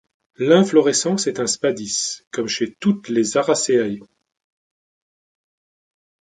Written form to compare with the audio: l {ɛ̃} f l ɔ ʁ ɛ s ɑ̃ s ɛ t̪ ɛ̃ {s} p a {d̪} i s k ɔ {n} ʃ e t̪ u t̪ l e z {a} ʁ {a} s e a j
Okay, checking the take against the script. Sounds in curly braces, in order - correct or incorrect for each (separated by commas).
correct, correct, correct, incorrect, correct, correct